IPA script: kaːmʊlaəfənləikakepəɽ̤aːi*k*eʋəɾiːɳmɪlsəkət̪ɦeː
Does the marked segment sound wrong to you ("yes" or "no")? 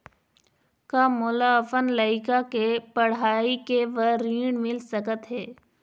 no